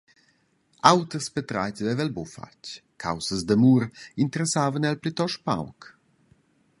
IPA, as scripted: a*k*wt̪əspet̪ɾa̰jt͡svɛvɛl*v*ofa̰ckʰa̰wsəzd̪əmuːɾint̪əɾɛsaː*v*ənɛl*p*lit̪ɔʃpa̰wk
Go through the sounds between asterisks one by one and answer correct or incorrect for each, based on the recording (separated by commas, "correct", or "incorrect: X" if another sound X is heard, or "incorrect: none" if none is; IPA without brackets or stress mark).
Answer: incorrect: none, incorrect: b, correct, correct